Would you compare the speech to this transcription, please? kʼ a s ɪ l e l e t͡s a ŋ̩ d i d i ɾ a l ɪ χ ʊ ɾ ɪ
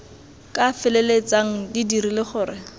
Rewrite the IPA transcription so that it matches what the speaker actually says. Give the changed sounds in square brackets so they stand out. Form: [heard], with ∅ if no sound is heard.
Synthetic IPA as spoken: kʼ a [f] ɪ l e l e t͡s a ŋ̩ d i d i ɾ [i] l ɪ χ [ʊː] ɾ ɪ